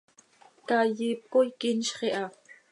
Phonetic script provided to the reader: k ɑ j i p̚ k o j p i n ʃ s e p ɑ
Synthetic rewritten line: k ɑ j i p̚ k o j k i n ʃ χ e ʔ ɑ